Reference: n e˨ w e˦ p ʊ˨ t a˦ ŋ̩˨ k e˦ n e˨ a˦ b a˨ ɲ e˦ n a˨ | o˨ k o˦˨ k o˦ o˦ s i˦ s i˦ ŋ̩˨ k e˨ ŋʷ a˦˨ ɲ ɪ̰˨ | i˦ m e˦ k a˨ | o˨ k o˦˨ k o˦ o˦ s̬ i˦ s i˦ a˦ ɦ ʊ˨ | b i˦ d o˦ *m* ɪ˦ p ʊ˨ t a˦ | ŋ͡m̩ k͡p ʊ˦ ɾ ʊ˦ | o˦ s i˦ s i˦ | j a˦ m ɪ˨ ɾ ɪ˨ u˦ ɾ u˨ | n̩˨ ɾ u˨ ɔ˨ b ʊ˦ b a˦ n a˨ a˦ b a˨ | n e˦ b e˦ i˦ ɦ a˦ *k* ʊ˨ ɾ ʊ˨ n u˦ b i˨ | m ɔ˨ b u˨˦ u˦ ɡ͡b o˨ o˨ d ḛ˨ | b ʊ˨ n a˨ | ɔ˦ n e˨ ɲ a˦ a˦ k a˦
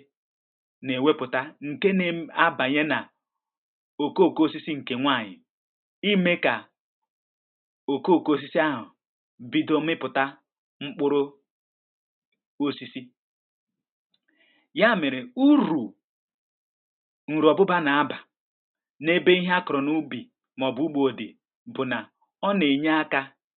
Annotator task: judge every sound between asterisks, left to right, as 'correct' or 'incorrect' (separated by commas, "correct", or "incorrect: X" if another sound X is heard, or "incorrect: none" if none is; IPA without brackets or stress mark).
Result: correct, correct